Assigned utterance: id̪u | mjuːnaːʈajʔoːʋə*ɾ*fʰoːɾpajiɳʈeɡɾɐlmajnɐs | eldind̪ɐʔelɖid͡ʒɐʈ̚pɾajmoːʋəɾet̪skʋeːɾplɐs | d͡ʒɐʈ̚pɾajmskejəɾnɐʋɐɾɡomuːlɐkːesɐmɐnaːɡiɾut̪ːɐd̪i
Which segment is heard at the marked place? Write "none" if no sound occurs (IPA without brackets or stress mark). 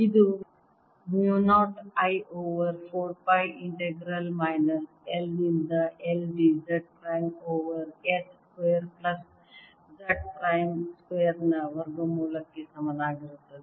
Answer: ɾ